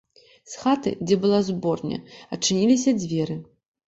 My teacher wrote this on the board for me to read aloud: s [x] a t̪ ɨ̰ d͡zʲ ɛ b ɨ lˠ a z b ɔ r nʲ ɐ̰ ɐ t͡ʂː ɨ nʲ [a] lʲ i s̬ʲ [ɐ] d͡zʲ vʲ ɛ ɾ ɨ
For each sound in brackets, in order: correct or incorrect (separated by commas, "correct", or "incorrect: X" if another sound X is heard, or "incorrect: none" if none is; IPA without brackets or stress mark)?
correct, incorrect: i, correct